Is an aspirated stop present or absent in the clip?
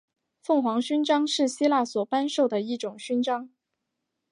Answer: absent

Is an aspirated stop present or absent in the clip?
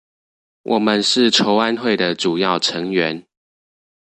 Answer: present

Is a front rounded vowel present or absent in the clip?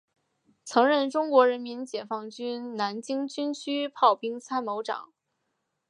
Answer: present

